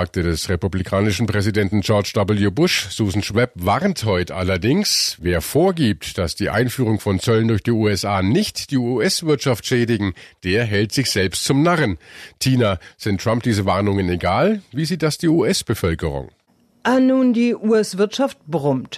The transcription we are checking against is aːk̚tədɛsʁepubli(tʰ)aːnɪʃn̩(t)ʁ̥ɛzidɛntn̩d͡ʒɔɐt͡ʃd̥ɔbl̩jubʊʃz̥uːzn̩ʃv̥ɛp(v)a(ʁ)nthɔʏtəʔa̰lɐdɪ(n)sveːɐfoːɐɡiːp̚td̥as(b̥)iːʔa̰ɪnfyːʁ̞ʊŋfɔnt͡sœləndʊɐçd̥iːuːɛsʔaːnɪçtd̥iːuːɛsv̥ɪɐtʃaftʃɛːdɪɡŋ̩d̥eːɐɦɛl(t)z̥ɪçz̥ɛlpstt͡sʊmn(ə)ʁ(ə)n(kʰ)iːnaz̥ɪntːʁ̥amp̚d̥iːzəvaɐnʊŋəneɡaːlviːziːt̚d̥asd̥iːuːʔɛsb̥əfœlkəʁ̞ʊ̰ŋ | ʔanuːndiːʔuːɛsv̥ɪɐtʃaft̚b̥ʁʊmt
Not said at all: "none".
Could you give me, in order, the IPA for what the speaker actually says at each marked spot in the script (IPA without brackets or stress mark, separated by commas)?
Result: kʰ, p, v, ʁ, ŋ, d̥, t, a, ə, tʰ